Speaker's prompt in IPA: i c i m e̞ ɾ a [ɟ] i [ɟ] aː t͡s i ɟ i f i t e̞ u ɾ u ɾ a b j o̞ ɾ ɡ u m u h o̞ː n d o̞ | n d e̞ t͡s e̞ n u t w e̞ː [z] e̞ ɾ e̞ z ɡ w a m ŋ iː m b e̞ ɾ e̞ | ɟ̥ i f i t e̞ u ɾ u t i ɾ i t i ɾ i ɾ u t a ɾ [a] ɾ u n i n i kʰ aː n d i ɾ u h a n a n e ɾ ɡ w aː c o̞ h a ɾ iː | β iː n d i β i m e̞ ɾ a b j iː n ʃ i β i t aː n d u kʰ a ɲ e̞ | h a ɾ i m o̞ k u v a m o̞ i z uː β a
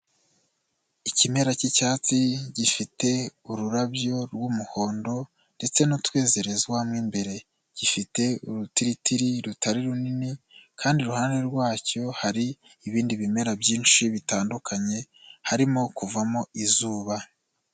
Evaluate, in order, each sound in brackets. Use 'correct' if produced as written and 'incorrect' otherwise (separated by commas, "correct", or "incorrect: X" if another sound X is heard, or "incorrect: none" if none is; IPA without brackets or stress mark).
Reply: incorrect: c, incorrect: c, correct, incorrect: i